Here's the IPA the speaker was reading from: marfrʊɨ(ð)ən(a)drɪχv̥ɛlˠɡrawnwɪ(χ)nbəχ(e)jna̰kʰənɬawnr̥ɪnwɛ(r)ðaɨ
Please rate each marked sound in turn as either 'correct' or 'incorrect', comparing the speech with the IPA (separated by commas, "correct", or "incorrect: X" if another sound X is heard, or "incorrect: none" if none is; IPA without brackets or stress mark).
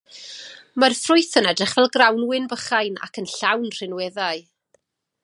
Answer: incorrect: θ, incorrect: ɛ, incorrect: none, incorrect: a, incorrect: none